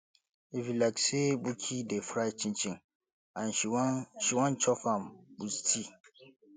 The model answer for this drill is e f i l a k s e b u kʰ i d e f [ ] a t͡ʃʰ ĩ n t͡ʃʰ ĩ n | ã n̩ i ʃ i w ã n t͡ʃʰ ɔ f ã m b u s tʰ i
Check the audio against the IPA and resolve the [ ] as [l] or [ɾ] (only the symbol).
ɾ